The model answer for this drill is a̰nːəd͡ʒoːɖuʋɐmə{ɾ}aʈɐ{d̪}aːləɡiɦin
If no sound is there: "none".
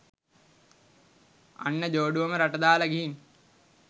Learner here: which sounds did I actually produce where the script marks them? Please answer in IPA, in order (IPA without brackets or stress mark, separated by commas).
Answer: ɾ, d̪